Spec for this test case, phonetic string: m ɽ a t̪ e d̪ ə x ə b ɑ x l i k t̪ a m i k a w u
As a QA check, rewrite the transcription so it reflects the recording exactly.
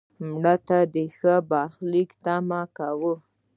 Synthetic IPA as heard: m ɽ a t̪ a d̪ ə x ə b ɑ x l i k t̪ a m a k a w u